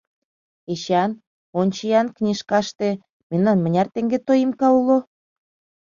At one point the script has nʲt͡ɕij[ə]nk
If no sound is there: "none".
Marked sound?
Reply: ɑ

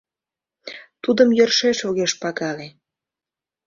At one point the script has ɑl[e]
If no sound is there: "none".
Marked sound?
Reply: e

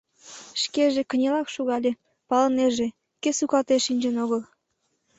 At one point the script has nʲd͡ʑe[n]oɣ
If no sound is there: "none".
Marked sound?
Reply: n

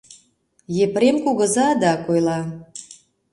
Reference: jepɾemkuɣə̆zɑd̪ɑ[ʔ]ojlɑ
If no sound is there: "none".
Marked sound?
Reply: k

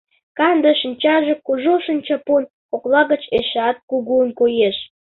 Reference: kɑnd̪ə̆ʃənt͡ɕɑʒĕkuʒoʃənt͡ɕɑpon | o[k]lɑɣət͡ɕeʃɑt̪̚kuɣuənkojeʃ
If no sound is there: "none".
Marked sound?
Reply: k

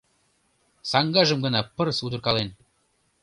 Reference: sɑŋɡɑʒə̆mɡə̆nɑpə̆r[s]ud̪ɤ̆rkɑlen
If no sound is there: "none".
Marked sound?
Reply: s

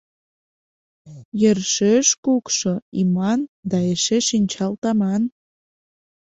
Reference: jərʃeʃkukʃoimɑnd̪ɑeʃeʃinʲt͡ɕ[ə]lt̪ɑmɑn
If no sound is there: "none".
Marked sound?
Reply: ɑ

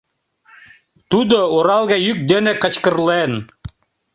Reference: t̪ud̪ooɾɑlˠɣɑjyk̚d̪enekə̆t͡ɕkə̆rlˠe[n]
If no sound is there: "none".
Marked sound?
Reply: n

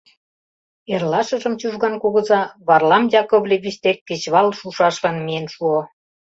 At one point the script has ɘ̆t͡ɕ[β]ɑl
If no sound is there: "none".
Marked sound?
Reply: β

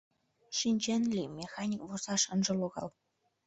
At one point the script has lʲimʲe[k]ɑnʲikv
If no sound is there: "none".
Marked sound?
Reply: x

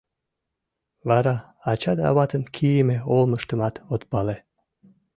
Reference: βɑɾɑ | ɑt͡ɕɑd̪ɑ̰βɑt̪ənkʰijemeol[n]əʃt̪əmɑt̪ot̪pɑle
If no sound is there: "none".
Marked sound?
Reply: m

